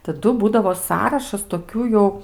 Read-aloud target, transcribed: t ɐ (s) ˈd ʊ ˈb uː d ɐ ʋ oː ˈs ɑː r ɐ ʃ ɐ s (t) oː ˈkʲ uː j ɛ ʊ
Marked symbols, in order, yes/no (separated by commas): no, yes